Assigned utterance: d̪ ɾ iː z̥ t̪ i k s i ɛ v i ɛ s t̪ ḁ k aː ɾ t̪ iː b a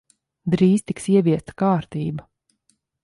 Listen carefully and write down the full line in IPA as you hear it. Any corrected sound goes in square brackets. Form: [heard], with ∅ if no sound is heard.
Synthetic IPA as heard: d̪ ɾ iː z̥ t̪ i k s i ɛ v i ɛ s t̪ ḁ k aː ɾ t̪ iː b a